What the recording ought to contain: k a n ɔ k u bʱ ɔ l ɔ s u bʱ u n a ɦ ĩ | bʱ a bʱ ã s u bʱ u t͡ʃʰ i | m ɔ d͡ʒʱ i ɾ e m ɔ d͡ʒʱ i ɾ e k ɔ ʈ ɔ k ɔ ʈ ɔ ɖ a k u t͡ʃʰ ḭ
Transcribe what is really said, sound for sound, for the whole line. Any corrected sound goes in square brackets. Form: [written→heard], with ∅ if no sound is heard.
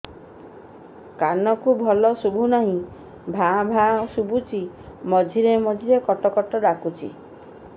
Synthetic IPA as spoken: k a n ɔ k u bʱ ɔ l ɔ s u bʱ u n a ɦ ĩ | bʱ a bʱ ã s u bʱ u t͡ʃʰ i | m ɔ d͡ʒʱ i ɾ e m ɔ d͡ʒʱ i ɾ e k ɔ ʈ ɔ k ɔ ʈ ɔ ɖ a k u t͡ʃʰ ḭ